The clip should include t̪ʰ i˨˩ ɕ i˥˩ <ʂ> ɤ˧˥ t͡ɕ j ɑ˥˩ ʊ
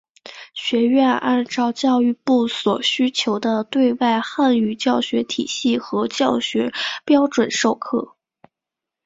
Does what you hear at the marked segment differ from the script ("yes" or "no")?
yes